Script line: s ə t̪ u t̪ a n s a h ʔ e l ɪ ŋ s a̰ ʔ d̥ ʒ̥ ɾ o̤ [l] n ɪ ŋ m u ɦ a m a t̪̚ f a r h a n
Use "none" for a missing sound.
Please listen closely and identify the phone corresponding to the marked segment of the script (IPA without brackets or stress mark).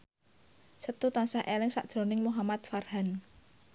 none